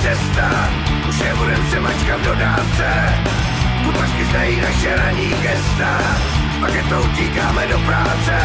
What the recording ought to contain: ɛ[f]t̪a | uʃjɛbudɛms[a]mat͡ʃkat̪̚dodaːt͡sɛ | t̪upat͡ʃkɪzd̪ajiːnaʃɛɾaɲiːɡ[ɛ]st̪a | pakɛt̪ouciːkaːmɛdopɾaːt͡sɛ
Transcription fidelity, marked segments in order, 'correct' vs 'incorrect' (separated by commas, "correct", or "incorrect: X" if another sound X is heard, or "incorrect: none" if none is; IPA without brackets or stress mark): incorrect: s, incorrect: ɛ, correct